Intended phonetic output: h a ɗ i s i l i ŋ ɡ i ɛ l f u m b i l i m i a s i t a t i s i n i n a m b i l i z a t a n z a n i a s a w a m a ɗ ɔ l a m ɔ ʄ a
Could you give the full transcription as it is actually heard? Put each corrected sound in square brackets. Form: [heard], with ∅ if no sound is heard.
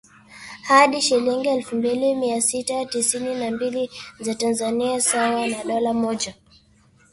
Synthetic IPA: h a ɗ i [ʃ] i l i ŋ ɡ i ɛ l f u m b i l i m i a s i t a t i s i n i n a m b i l i z a t a n z a n i a s a w a [n] a ɗ ɔ l a m ɔ ʄ a